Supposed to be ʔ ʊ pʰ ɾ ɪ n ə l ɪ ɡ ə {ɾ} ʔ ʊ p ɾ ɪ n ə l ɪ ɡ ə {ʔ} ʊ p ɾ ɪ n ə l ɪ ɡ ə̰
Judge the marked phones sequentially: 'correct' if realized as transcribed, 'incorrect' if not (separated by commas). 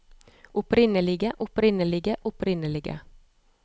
incorrect, correct